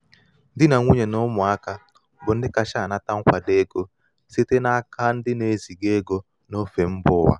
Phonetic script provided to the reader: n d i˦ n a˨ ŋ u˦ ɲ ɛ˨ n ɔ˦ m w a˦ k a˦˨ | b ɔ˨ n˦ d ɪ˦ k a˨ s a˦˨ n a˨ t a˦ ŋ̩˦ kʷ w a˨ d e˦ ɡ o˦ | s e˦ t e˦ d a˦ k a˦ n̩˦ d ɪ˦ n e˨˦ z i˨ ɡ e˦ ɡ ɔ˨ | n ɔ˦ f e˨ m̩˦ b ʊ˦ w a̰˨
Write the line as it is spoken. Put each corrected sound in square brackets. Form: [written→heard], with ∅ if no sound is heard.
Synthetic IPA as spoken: n d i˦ n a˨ ŋ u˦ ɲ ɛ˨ n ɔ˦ m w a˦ k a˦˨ | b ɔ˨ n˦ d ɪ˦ k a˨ [s→ʃ] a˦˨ n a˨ t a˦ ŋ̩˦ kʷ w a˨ d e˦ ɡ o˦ | s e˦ t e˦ [d→n] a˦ k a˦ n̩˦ d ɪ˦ n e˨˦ z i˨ ɡ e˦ ɡ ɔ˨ | n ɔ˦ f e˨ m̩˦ b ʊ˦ w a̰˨